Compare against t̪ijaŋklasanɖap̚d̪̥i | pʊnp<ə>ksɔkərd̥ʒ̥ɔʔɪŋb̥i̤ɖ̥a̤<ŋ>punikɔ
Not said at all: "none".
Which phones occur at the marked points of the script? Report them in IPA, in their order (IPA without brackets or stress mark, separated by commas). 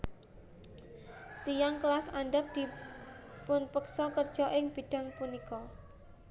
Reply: ə, ŋ